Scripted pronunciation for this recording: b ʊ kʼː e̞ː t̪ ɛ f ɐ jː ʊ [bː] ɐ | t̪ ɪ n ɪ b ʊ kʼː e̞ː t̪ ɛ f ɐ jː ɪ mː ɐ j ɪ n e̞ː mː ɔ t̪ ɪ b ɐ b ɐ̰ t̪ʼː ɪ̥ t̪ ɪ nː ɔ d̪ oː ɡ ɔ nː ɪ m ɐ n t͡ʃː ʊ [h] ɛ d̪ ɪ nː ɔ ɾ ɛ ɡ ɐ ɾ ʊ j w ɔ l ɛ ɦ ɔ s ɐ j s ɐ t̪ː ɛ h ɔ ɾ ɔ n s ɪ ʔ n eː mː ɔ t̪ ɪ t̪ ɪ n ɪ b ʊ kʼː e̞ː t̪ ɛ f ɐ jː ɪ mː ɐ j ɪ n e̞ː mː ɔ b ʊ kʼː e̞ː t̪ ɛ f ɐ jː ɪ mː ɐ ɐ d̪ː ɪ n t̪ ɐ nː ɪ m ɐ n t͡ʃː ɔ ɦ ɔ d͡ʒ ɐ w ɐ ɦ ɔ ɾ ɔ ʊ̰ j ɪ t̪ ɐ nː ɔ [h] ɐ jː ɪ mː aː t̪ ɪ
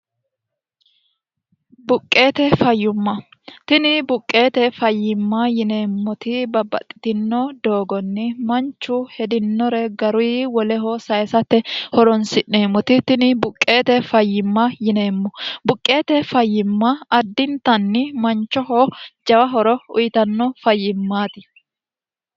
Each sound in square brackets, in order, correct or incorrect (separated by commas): incorrect, correct, incorrect